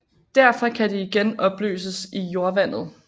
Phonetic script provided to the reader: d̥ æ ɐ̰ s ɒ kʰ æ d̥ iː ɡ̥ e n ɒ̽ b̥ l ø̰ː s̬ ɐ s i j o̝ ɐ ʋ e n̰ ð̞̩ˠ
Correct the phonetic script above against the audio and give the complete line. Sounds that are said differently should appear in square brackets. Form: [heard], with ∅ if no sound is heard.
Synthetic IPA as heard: d̥ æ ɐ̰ [f] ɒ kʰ æ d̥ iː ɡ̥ e n ɒ̽ b̥ l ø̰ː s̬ [ə] s i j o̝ ɐ ʋ [æ] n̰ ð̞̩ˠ